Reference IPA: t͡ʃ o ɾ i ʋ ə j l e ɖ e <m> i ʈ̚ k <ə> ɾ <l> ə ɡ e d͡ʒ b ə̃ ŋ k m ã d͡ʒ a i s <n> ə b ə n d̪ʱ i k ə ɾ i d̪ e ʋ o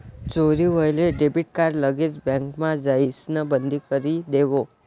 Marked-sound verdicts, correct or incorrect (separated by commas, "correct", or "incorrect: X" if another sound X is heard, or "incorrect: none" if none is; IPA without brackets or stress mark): incorrect: b, incorrect: a, correct, correct